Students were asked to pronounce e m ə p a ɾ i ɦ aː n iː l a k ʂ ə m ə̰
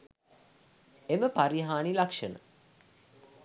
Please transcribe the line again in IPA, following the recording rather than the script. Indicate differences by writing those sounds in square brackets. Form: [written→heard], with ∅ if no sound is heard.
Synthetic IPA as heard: e m ə p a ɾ i ɦ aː n [iː→i] l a k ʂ ə [m→n] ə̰